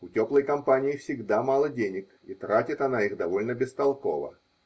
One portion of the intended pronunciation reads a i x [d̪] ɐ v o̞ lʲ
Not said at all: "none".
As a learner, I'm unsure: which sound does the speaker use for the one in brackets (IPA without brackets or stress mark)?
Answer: d̪